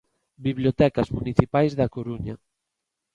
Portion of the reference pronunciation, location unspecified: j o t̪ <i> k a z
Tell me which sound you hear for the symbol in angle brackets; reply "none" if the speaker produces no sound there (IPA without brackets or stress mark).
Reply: ɛ